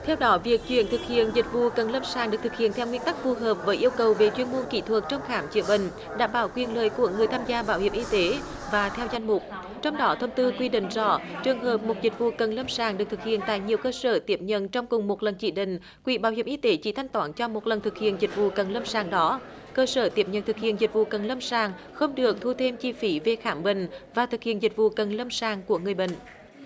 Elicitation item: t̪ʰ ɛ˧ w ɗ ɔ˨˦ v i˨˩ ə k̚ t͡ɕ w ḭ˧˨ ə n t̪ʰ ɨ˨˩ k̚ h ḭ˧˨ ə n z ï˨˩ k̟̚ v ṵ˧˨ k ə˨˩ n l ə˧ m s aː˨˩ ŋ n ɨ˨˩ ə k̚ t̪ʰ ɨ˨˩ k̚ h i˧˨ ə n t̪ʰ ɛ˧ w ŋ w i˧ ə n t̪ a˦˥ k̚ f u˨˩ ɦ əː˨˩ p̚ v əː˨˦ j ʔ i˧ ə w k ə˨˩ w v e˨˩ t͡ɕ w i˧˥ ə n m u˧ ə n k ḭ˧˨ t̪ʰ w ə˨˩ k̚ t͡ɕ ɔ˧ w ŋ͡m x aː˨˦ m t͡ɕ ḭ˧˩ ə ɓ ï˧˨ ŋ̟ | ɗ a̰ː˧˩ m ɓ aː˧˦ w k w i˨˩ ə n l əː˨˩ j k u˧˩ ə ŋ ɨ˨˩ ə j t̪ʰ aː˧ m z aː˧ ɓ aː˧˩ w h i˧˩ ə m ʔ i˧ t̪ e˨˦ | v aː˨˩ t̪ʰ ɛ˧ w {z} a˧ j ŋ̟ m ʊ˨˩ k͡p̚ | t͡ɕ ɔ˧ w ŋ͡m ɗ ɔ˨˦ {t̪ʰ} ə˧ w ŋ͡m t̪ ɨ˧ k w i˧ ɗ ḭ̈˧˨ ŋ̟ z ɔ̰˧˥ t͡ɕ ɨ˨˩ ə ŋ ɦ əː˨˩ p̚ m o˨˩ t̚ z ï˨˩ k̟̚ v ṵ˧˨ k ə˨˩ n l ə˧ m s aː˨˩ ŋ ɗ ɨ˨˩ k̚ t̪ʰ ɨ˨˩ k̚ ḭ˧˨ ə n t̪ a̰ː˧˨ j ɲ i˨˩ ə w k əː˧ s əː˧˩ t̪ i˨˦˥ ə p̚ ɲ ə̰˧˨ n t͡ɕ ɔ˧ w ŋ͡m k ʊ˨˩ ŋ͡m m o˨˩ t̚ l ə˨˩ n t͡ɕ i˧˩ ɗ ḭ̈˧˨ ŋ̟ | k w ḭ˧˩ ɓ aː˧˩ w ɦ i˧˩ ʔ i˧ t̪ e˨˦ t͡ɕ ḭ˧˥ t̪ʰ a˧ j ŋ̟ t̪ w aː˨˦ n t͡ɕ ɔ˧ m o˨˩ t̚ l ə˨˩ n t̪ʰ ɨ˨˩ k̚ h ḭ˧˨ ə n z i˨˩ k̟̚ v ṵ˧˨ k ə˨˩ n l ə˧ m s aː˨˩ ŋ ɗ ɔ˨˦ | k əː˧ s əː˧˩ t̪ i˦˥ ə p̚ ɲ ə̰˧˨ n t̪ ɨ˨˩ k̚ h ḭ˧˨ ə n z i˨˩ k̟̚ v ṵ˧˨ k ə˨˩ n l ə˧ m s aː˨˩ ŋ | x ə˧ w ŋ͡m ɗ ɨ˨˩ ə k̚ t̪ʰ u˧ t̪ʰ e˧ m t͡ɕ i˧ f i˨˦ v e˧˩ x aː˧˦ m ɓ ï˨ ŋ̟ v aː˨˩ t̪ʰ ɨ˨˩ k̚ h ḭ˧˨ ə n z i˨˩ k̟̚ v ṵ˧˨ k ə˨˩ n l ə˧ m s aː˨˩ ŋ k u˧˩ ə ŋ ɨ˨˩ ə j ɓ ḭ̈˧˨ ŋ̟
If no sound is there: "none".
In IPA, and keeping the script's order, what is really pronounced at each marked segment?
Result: z, t̪ʰ

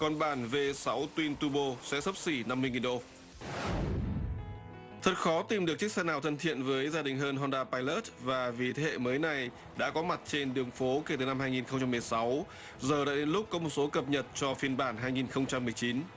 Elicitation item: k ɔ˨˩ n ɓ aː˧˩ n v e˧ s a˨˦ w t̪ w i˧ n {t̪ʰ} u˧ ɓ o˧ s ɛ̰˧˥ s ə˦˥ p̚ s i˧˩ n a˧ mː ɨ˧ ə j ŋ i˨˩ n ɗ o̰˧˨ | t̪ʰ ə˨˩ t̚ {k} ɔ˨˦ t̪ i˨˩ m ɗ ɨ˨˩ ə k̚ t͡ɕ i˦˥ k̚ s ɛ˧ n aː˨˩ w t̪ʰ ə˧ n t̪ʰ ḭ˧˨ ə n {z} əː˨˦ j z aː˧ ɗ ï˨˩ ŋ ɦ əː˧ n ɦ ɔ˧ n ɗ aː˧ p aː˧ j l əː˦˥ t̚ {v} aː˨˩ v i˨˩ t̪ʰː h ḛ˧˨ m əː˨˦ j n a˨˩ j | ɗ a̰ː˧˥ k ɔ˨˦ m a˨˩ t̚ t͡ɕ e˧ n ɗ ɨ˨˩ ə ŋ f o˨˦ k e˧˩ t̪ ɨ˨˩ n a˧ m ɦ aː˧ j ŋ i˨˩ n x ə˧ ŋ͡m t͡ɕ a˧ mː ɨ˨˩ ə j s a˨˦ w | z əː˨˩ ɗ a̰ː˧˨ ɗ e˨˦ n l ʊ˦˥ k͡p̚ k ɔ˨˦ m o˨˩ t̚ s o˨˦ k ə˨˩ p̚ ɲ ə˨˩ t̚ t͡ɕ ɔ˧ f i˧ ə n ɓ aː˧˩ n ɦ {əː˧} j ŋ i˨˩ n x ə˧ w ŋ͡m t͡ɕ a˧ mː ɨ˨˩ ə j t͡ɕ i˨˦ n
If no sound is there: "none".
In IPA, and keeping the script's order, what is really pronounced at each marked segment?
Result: t̪, x, v, v, aː˧

